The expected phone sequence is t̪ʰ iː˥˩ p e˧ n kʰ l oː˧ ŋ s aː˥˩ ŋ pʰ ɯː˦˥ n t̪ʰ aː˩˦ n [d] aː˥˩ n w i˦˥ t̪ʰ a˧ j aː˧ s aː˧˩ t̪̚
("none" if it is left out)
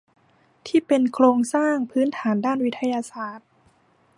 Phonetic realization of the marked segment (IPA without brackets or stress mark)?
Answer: d